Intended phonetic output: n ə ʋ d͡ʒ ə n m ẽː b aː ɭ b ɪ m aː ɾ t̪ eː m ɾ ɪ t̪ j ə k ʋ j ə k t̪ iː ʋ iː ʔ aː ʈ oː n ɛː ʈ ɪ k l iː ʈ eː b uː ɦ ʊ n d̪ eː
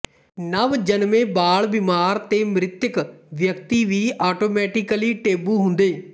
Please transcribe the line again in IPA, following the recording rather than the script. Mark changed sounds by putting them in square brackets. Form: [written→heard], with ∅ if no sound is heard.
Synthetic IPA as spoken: n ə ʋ d͡ʒ ə n m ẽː b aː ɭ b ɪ m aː ɾ t̪ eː m ɾ ɪ t̪ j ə k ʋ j ə k t̪ iː ʋ iː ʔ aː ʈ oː [n→m] ɛː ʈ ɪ k l iː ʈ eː b uː ɦ ʊ n d̪ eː